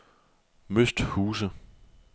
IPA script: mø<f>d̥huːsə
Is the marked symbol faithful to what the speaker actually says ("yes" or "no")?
no